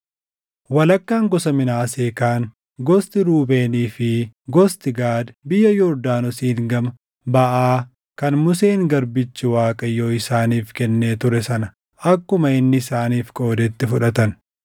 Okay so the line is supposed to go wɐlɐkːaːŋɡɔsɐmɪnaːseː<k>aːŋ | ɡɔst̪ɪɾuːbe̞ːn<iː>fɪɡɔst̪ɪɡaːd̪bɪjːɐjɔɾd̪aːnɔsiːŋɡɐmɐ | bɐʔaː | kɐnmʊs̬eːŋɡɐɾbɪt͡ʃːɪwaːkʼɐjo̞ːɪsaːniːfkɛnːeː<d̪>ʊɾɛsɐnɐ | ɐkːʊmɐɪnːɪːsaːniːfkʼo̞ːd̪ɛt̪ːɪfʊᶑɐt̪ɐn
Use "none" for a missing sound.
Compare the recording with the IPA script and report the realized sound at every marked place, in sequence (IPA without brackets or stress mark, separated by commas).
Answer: k, iː, t̪